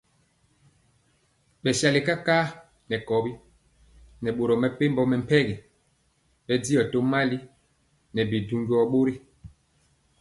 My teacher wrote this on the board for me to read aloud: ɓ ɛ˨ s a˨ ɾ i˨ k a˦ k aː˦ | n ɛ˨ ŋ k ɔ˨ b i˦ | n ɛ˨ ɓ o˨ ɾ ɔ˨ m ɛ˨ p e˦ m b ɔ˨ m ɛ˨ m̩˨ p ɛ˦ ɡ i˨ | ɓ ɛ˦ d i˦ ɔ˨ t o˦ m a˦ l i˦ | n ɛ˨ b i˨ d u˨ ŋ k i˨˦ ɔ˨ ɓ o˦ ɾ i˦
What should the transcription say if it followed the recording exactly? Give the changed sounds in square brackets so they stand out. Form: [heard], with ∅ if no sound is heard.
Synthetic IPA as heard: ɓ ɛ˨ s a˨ [l] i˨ k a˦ k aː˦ | n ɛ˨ [∅] k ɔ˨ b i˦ | n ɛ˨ ɓ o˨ ɾ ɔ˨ m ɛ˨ p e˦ m b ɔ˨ m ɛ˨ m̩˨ p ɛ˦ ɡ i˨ | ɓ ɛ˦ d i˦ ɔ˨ t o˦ m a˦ l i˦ | n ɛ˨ b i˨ d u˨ ŋ [ɡ] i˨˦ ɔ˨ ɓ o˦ ɾ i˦